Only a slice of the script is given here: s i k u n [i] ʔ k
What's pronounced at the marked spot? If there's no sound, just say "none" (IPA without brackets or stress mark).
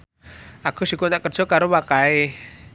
a